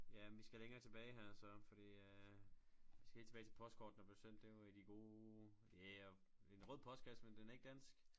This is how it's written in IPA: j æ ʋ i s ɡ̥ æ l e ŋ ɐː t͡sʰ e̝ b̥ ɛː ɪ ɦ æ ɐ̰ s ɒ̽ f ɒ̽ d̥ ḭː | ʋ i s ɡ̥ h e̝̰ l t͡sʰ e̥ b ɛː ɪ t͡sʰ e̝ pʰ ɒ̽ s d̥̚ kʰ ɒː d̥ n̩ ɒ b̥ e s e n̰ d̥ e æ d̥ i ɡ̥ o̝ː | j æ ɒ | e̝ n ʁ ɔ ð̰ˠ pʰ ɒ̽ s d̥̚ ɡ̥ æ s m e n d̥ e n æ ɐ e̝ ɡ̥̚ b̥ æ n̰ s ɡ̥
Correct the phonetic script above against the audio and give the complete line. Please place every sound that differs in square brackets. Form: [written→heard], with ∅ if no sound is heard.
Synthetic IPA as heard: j æ ʋ i s ɡ̥ æ l e ŋ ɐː t͡sʰ e̝ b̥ ɛː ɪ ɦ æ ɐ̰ s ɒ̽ f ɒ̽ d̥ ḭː | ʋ i s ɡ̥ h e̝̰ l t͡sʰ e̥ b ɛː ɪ t͡sʰ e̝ pʰ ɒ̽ s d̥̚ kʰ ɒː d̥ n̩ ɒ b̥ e s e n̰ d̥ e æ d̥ i ɡ̥ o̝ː | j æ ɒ | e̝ n ʁ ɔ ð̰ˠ pʰ ɒ̽ s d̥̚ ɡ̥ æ s m e n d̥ e n æ ɐ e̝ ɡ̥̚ [b̥→d̥] æ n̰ s ɡ̥